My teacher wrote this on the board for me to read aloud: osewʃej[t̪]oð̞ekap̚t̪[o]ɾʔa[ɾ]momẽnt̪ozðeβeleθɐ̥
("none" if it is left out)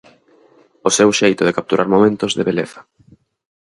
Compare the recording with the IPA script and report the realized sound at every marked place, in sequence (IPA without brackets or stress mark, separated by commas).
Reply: t̪, u, ɾ